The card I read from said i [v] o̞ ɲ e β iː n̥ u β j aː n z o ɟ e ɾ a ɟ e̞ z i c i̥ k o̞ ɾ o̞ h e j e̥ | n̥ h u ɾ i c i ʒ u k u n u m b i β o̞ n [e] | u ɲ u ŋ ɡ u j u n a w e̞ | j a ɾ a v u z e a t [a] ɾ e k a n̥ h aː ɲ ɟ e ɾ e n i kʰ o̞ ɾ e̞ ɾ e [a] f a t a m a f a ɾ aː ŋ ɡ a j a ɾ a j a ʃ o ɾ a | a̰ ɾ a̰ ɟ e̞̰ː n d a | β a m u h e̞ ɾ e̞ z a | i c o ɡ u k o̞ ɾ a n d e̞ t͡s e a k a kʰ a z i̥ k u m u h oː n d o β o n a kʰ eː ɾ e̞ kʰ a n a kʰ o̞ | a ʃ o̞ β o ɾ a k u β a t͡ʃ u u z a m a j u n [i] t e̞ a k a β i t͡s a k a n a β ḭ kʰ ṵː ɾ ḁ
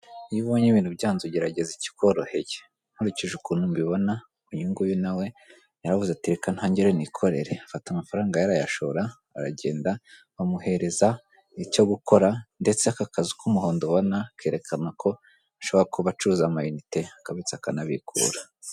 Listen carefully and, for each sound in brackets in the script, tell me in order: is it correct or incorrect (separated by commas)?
incorrect, incorrect, incorrect, correct, correct